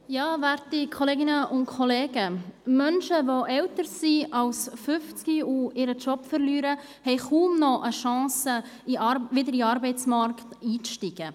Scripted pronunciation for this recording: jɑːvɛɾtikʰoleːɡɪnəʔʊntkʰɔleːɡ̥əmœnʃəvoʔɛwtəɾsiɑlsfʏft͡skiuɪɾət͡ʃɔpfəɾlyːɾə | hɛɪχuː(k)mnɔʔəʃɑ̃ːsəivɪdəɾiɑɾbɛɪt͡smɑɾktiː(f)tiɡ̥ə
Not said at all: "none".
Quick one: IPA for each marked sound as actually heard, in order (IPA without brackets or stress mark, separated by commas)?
none, ʃ